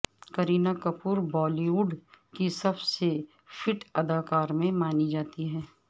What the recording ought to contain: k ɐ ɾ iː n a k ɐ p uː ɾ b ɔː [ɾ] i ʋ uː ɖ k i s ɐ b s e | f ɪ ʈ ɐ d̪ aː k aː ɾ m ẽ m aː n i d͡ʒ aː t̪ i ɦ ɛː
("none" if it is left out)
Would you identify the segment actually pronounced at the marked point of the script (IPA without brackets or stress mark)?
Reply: l